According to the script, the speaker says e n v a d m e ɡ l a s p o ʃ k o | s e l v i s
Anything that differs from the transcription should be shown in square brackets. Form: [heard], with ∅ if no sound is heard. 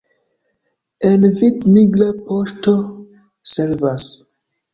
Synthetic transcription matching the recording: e n v [i] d m [i] ɡ l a [∅] p o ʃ [t] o | s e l v [a] s